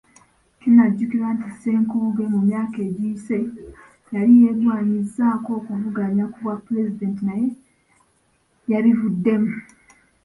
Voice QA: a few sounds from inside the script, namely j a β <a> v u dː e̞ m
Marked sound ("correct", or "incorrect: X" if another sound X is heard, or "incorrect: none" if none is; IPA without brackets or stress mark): incorrect: i